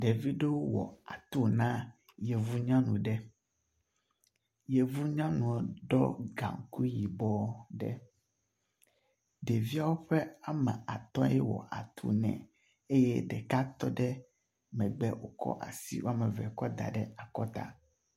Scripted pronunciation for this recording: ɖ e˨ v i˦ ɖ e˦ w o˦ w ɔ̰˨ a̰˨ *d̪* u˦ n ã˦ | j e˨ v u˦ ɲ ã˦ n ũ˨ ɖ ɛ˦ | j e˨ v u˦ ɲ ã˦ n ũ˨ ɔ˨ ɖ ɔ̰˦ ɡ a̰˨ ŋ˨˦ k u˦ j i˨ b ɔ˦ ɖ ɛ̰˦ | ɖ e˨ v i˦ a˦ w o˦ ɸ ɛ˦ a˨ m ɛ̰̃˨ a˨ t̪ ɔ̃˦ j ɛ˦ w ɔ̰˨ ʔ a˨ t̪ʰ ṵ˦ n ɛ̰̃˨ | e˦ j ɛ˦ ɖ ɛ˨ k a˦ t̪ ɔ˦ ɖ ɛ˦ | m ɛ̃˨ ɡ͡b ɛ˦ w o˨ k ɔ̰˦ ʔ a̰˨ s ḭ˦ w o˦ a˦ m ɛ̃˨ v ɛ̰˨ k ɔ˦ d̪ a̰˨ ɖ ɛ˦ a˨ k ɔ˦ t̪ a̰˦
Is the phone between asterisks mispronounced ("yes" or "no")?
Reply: yes